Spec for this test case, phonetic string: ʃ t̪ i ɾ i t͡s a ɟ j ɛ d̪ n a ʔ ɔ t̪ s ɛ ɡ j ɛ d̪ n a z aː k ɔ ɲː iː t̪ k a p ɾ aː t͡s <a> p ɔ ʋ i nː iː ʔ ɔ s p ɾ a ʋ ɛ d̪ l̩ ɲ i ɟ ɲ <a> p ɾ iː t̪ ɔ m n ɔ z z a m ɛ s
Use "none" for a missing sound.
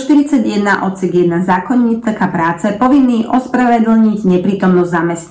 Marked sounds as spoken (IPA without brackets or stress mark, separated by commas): ɛ, ɛ